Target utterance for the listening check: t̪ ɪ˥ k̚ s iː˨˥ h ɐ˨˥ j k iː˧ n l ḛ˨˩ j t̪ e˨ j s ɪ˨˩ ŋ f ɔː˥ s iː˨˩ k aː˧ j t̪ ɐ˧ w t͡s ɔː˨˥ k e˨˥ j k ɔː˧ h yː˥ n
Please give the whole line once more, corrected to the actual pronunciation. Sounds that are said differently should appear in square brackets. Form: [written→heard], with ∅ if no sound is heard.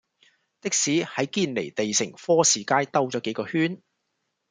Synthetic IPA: t̪ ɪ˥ k̚ s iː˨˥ h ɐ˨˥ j k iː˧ n l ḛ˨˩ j t̪ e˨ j s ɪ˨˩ ŋ f ɔː˥ s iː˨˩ k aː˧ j t̪ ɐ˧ w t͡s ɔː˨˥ k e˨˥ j k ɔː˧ h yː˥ n